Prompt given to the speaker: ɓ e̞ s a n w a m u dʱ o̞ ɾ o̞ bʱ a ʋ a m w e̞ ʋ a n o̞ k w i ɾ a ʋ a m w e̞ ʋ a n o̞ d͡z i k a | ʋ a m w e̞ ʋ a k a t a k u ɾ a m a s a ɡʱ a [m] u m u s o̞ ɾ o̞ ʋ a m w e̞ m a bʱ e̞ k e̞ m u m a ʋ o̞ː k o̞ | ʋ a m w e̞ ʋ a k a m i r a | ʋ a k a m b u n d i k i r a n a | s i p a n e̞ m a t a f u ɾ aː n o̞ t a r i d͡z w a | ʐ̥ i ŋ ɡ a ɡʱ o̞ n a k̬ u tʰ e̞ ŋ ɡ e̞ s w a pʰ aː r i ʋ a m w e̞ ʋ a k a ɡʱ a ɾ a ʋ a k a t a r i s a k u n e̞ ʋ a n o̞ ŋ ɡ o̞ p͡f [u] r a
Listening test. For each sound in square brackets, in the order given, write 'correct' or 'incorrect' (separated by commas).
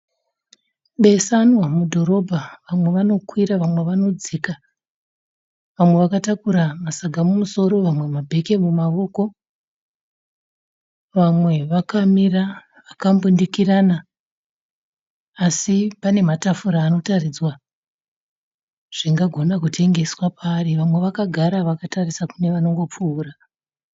correct, incorrect